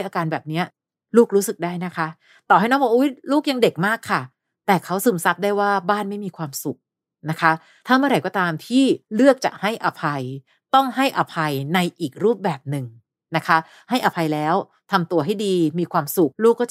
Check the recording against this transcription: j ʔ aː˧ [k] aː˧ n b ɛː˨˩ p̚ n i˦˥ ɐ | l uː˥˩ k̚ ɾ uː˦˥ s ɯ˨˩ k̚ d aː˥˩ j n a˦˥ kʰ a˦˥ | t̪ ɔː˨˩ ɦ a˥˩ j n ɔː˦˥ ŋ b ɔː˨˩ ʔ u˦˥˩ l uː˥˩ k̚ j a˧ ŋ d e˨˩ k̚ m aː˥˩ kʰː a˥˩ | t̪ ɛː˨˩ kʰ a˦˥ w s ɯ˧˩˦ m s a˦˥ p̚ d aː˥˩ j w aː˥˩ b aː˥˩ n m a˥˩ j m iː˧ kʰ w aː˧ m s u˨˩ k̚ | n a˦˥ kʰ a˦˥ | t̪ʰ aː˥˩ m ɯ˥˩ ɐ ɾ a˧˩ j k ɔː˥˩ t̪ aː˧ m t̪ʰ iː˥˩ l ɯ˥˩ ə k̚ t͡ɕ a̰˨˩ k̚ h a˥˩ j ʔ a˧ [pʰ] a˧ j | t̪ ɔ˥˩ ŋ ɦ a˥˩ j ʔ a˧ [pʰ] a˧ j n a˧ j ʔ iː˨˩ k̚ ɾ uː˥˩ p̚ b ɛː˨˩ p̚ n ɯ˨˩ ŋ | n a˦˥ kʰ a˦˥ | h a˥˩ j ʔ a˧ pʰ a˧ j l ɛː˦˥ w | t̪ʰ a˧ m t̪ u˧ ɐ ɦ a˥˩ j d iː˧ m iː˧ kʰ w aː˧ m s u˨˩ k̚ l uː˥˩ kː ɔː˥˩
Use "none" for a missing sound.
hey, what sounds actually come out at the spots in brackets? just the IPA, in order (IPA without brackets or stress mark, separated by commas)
k, pʰ, pʰ